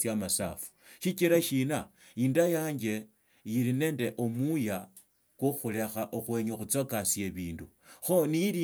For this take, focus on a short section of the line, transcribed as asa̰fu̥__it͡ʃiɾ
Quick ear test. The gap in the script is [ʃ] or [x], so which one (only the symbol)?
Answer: ʃ